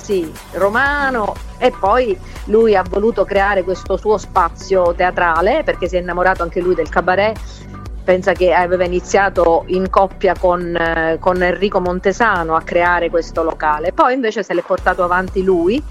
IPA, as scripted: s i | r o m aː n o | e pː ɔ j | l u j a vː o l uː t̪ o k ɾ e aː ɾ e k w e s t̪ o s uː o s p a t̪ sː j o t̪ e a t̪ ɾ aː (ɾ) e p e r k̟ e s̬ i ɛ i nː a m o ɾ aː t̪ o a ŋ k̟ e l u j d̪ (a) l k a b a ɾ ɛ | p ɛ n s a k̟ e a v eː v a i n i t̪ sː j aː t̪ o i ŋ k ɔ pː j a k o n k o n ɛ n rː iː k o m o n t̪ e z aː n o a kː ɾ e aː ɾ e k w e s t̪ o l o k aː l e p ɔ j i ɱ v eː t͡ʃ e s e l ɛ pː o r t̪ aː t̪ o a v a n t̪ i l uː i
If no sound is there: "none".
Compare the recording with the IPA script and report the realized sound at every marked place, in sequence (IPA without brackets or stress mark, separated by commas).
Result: l, e